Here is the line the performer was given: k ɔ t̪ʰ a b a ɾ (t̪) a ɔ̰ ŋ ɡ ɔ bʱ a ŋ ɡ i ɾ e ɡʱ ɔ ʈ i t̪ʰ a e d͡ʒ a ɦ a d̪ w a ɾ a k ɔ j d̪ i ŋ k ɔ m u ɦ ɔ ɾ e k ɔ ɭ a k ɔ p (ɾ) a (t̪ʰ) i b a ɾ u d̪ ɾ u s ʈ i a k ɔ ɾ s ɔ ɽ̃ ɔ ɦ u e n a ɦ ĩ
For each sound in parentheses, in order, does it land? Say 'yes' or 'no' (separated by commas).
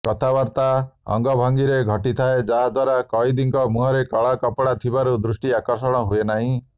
yes, no, yes